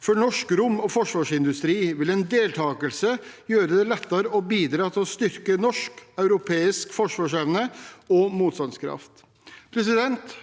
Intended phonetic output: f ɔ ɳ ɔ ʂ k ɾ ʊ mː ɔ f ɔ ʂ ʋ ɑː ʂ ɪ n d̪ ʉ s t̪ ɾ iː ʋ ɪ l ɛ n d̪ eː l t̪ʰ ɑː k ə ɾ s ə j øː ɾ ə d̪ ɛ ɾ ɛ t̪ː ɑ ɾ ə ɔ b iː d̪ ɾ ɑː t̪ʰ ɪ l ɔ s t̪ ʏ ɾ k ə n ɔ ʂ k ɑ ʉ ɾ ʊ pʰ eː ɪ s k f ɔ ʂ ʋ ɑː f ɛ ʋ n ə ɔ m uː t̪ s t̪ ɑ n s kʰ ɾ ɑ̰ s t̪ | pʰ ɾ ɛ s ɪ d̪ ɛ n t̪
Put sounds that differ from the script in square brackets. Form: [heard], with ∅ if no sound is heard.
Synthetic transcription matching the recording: f ɔ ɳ ɔ ʂ k ɾ ʊ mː ɔ f ɔ ʂ ʋ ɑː ʂ ɪ n d̪ ʉ s t̪ ɾ iː ʋ ɪ l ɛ n d̪ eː l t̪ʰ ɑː k ə [l] s ə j øː ɾ ə d̪ ɛ [l] ɛ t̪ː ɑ ɾ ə ɔ b iː d̪ ɾ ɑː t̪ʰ ɪ l ɔ s t̪ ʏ ɾ k ə n ɔ ʂ k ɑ ʉ ɾ ʊ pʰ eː ɪ s k f ɔ ʂ ʋ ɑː [ʂ] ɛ ʋ n ə ɔ m uː t̪ s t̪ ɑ n s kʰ ɾ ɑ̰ [f] t̪ | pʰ ɾ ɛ s ɪ d̪ ɛ n t̪